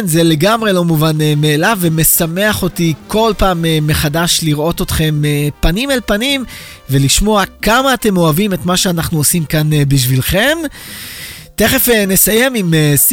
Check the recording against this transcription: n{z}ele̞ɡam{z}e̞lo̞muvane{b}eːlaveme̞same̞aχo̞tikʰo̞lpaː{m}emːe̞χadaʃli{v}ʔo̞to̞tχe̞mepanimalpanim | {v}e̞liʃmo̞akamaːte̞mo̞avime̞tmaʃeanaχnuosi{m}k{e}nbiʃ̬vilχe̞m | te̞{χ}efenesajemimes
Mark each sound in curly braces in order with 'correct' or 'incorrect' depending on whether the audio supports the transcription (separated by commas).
correct, incorrect, incorrect, correct, incorrect, correct, correct, incorrect, correct